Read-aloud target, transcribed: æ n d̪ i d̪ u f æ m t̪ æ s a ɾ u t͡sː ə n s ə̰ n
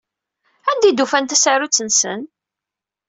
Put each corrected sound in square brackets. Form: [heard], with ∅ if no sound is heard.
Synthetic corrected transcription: æ n d̪ i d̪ u f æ [n] t̪ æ s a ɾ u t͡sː ə n s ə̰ n